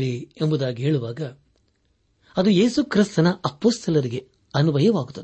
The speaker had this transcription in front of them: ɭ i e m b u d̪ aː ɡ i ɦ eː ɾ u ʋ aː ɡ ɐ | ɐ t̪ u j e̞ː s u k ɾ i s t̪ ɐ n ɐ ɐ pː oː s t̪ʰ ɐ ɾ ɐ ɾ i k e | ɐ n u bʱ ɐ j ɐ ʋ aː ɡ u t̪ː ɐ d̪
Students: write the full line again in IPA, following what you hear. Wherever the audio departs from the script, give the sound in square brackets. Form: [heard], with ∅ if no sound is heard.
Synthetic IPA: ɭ i e m b u d̪ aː ɡ i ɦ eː [ɭ] u ʋ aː ɡ ɐ | ɐ [d̪] u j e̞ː s u k ɾ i s t̪ ɐ n ɐ ɐ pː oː s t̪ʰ ɐ [l] ɐ ɾ i [ɡ] e | ɐ n u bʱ ɐ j ɐ ʋ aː ɡ u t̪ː ɐ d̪